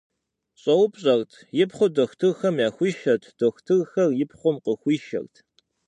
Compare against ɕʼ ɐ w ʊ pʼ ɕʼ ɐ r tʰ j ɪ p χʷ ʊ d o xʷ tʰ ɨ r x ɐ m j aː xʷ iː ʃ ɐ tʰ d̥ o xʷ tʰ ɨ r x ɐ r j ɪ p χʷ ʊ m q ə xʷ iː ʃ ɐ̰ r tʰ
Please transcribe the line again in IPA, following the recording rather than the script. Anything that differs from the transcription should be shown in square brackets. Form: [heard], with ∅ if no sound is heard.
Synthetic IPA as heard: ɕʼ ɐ w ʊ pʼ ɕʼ ɐ r tʰ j ɪ p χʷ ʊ d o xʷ tʰ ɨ r x ɐ m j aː xʷ iː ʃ ɐ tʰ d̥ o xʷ tʰ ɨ r x ɐ r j ɪ p χʷ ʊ m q ə xʷ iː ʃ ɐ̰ r tʰ